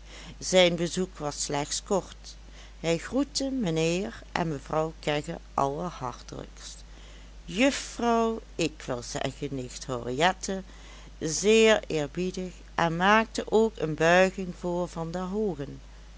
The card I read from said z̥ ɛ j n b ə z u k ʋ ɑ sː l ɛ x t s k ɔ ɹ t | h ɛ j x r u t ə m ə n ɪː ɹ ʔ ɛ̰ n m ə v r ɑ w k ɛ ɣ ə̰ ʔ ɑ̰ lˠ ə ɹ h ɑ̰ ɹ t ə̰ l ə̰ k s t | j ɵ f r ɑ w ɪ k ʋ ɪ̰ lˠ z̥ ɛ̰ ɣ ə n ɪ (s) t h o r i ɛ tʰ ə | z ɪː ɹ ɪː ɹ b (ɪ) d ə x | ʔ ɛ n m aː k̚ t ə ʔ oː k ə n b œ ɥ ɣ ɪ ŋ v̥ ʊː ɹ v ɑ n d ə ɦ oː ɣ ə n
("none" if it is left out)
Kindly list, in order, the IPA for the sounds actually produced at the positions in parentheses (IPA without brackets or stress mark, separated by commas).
x, i